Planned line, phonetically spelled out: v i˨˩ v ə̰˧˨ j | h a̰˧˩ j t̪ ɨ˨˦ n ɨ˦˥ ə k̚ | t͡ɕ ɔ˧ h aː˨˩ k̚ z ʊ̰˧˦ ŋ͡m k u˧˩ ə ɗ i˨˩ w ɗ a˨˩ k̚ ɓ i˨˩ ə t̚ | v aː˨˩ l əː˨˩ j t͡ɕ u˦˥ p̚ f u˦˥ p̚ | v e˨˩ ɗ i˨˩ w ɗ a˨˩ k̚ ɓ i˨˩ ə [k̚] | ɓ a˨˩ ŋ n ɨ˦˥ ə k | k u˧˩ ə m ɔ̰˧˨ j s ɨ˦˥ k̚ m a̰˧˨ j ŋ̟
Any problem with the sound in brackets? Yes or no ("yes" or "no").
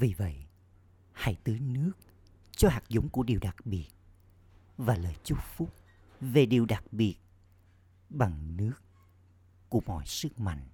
yes